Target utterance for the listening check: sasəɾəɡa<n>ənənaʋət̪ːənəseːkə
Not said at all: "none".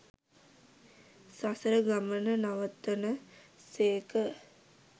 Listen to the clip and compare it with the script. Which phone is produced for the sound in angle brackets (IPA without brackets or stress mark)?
m